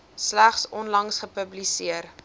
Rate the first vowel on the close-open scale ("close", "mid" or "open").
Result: open